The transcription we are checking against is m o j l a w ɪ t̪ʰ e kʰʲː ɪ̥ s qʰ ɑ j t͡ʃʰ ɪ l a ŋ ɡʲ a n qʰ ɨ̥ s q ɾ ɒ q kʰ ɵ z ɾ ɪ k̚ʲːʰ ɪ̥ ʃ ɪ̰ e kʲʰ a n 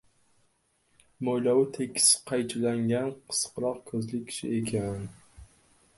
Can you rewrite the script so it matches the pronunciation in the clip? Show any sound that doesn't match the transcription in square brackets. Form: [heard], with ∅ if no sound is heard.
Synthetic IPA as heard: m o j l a w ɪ t̪ʰ e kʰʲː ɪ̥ s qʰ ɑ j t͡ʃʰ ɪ l a ŋ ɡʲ a n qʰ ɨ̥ s q ɾ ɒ q kʰ ɵ z [l] ɪ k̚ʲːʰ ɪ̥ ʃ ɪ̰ e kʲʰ a n